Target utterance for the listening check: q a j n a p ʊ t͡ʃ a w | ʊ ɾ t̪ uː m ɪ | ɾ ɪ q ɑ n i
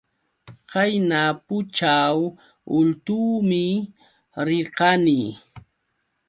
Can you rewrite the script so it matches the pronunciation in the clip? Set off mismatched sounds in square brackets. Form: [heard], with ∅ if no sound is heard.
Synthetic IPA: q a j n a p ʊ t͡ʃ a w | ʊ [l] t̪ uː m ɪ | ɾ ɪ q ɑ n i